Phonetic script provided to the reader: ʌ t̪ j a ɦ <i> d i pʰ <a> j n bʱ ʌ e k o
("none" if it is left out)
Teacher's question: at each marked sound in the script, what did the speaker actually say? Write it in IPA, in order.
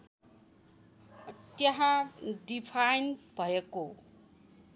a, a

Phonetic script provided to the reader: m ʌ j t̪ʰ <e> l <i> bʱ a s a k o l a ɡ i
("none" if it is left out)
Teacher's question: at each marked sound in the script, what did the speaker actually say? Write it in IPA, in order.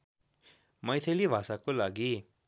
e, i

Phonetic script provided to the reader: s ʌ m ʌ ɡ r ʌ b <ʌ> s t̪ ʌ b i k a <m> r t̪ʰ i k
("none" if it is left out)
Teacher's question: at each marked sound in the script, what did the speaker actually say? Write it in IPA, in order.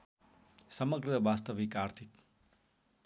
a, none

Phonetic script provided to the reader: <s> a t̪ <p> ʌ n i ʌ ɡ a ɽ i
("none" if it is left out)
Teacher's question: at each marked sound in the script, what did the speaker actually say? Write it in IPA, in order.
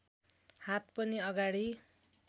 h, p

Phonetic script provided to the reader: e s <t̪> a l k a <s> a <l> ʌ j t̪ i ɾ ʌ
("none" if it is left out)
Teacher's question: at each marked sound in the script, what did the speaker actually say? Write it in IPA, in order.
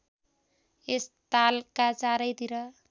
t̪, t͡s, ɾ

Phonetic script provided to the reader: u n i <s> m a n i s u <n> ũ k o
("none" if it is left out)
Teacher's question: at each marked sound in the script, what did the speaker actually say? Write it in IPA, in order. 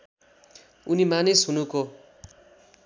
none, n

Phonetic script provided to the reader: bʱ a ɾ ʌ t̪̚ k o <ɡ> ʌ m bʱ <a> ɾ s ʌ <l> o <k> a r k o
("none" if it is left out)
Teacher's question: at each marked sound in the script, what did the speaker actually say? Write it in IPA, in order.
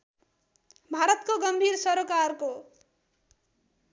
ɡ, i, ɾ, k

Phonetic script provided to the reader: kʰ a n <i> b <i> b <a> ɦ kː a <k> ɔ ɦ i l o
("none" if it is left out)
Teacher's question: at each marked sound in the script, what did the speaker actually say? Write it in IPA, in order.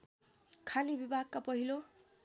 i, i, a, p

